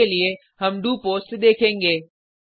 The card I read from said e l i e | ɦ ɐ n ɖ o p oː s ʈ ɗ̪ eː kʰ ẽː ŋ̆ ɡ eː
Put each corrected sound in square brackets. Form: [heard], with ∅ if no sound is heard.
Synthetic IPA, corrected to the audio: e l i e | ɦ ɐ [m] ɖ [u] p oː s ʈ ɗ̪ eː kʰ ẽː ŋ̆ ɡ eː

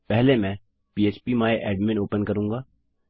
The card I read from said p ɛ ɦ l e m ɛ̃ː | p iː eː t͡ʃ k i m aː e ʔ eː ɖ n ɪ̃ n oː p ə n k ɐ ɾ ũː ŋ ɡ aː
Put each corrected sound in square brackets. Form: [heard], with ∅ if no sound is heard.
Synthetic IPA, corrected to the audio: p ɛ ɦ l e m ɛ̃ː | p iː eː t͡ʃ [p] i m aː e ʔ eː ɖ [m] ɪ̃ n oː p ə n k ɐ ɾ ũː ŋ ɡ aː

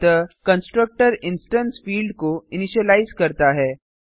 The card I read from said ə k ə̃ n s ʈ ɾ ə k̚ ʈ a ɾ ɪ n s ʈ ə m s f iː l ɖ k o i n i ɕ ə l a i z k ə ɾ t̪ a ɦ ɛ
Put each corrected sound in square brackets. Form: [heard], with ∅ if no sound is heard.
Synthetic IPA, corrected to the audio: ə k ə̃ n s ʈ ɾ ə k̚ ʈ [ə] ɾ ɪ n s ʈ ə [n] s f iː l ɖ k o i n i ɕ ə l a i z k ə ɾ t̪ a ɦ ɛ

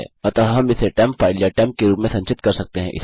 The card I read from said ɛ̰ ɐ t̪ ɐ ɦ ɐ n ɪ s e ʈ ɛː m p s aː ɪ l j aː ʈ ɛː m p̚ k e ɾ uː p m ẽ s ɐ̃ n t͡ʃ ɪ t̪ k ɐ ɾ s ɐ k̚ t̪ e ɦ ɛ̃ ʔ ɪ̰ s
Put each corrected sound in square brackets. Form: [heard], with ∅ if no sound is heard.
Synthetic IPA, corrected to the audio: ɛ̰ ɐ t̪ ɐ ɦ ɐ [m] ɪ s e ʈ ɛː m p [f] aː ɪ l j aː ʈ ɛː m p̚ k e ɾ uː p m ẽ s ɐ̃ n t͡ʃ ɪ t̪ k ɐ ɾ s ɐ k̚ t̪ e ɦ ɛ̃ ʔ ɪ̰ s

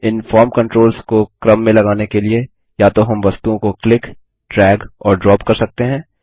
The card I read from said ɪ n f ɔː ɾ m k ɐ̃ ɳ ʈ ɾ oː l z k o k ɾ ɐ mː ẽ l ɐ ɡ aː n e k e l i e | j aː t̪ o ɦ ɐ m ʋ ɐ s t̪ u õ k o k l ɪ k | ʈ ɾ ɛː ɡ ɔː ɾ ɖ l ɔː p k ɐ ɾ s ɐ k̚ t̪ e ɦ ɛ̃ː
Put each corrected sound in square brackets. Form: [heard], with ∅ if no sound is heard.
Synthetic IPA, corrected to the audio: ɪ n f ɔː ɾ m k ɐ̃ ɳ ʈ ɾ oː l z k o k ɾ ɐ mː ẽ l ɐ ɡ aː n e k e l i e | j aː t̪ o ɦ ɐ m ʋ ɐ s t̪ u õ k o k l ɪ k | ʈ ɾ ɛː ɡ ɔː ɾ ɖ [ɾ] ɔː p k ɐ ɾ s ɐ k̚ t̪ e ɦ ɛ̃ː

